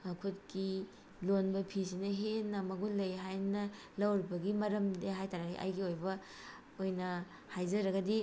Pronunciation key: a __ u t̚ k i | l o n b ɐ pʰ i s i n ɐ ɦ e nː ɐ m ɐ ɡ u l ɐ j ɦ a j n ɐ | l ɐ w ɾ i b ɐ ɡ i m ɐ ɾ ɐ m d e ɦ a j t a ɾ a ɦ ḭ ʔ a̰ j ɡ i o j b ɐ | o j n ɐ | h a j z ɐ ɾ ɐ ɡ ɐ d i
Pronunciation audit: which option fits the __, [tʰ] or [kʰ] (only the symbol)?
kʰ